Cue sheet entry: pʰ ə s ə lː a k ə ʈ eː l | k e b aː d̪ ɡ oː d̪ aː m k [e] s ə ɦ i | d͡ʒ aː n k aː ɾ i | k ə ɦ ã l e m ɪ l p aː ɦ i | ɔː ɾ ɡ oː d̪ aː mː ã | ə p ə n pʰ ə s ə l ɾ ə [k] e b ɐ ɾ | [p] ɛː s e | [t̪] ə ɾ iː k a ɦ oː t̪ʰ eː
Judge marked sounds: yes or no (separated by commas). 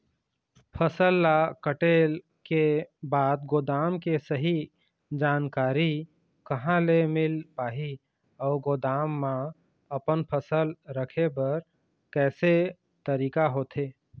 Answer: yes, no, no, yes